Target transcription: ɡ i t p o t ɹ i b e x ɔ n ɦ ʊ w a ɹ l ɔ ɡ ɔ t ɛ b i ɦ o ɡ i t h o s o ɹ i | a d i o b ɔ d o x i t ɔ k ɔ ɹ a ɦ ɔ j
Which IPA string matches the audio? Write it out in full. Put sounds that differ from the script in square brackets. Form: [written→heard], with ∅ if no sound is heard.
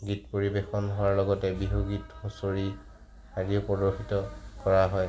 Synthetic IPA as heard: ɡ i t p o [t→∅] ɹ i b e x ɔ n ɦ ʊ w a ɹ l ɔ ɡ ɔ t ɛ b i ɦ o ɡ i t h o s o ɹ i | a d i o [b→p] ɔ d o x i t ɔ k ɔ ɹ a ɦ ɔ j